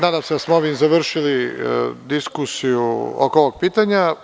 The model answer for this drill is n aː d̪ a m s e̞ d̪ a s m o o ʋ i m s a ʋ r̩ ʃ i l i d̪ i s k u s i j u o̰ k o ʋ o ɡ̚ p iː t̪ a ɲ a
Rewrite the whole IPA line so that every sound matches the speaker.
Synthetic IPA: n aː d̪ a m s e̞ d̪ a s m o o ʋ i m z a ʋ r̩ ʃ i l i d̪ i s k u s i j u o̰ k o ʋ o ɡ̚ p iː t̪ a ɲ a